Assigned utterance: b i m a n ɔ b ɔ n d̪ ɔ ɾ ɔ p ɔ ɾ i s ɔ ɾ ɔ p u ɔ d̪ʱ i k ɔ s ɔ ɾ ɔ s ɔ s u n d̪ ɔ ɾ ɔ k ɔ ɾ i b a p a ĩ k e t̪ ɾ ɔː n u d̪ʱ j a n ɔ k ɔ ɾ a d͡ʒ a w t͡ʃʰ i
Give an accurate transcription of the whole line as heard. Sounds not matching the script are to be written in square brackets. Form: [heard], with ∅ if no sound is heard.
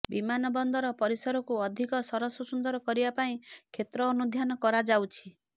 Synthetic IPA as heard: b i m a n ɔ b ɔ n d̪ ɔ ɾ ɔ p ɔ ɾ i s ɔ ɾ ɔ [k] u ɔ d̪ʱ i k ɔ s ɔ ɾ ɔ s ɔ s u n d̪ ɔ ɾ ɔ k ɔ ɾ i b a p a ĩ [kʰ] e t̪ ɾ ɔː n u d̪ʱ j a n ɔ k ɔ ɾ a d͡ʒ a w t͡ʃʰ i

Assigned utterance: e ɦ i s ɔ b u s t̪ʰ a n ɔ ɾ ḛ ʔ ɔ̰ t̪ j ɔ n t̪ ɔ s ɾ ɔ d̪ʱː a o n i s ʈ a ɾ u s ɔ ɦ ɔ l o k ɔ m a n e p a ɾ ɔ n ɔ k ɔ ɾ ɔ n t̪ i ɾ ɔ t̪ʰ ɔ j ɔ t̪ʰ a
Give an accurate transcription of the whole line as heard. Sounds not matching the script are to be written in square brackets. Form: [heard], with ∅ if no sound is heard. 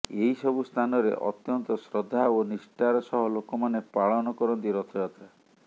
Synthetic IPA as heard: e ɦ i s ɔ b u s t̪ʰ a n ɔ ɾ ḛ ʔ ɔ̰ t̪ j ɔ n t̪ ɔ s ɾ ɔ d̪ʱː a o n i s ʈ a ɾ [ɔ] s ɔ ɦ ɔ l o k ɔ m a n e p a [ɭ] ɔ n ɔ k ɔ ɾ ɔ n t̪ i ɾ ɔ t̪ʰ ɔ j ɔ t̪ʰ a

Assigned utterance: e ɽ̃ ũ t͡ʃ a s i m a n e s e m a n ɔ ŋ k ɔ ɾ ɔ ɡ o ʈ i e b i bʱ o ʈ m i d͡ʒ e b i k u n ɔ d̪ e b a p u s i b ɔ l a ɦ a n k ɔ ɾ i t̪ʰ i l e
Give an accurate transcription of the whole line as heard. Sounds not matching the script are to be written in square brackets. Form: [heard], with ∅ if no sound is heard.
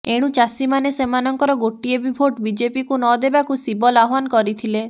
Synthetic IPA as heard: e ɽ̃ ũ t͡ʃ a s i m a n e s e m a n ɔ ŋ k ɔ ɾ ɔ ɡ o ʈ i e b i bʱ o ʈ [b] i d͡ʒ e [p] i k u n ɔ d̪ e b a [k] u s i b ɔ l a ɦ a n k ɔ ɾ i t̪ʰ i l e

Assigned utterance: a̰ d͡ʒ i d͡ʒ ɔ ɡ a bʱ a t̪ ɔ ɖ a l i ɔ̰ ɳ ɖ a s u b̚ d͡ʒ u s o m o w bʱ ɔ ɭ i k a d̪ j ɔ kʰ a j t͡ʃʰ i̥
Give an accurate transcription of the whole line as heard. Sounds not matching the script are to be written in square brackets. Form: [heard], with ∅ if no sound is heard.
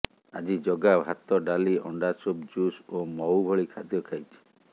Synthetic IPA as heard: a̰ d͡ʒ i d͡ʒ ɔ ɡ a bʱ a t̪ ɔ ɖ a l i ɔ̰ ɳ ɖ a s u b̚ d͡ʒ u s o m [ɔ] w bʱ ɔ ɭ i [kʰ] a d̪ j ɔ kʰ a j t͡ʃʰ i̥

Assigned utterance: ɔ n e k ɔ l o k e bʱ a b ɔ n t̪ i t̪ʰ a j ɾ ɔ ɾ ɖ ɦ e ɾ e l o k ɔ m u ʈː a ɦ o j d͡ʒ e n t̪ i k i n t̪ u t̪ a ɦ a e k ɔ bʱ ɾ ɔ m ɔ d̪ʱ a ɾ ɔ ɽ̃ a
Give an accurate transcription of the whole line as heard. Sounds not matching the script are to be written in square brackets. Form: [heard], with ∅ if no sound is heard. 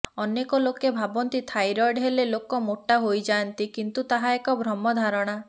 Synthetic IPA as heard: ɔ n e k ɔ l o k e bʱ a b ɔ n t̪ i t̪ʰ a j ɾ ɔ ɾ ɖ ɦ e [l] e l o k ɔ m [o] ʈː a ɦ o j d͡ʒ [a] n t̪ i k i n t̪ u t̪ a ɦ a e k ɔ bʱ ɾ ɔ m ɔ d̪ʱ a ɾ ɔ ɽ̃ a

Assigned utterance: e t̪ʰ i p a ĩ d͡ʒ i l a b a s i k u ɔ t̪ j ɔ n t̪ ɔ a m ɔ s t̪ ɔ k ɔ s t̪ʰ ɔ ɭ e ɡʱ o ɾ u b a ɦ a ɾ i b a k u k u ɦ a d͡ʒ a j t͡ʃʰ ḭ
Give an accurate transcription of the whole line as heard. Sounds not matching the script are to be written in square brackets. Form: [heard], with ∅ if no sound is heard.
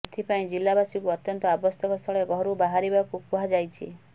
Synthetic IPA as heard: e t̪ʰ i p a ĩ d͡ʒ i l a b a s i k u ɔ t̪ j ɔ n t̪ ɔ a [b] ɔ s t̪ ɔ k ɔ s t̪ʰ ɔ ɭ e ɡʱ [ɔ] ɾ u b a ɦ a ɾ i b a k u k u ɦ a d͡ʒ a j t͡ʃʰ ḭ

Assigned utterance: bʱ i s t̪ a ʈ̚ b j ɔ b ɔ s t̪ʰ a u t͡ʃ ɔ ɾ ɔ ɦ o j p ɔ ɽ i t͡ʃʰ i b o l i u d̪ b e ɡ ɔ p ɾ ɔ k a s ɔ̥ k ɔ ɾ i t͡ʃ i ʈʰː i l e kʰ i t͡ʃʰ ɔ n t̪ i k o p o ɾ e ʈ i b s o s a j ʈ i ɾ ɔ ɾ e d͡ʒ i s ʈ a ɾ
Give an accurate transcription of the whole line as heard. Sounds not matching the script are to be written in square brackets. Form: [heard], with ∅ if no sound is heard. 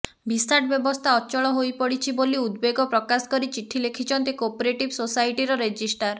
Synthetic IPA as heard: bʱ i s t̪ a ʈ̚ b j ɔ b ɔ s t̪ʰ a [ɔ] t͡ʃ ɔ [ɭ] ɔ ɦ o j p ɔ ɽ i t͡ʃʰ i b o l i u d̪ b e ɡ ɔ p ɾ ɔ k a s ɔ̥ k ɔ ɾ i t͡ʃ i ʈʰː i l e kʰ i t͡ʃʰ ɔ n t̪ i k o p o ɾ e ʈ i b s o s a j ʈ i ɾ ɔ ɾ e d͡ʒ i s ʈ a ɾ

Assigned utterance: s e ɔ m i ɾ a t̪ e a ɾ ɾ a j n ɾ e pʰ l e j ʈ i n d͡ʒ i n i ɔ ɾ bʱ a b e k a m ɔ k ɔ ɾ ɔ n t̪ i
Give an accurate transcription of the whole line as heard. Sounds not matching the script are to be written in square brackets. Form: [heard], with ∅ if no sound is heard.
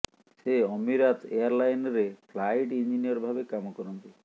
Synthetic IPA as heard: s e ɔ m i ɾ a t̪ e a ɾ [l] a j n ɾ e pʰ l [a] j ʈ i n d͡ʒ i n i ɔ ɾ bʱ a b e k a m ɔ k ɔ ɾ ɔ n t̪ i

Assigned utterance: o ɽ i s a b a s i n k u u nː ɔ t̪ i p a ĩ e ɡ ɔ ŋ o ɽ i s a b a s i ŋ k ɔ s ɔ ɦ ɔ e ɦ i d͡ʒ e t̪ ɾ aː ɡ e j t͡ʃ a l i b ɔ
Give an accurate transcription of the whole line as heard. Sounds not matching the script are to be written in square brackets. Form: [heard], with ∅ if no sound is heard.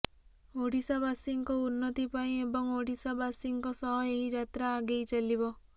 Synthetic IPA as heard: o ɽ i s a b a s i [ŋ] k [ɔ] u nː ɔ t̪ i p a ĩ e [b] ɔ ŋ o ɽ i s a b a s i ŋ k ɔ s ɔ ɦ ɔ e ɦ i d͡ʒ [a] t̪ ɾ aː ɡ e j t͡ʃ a l i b ɔ

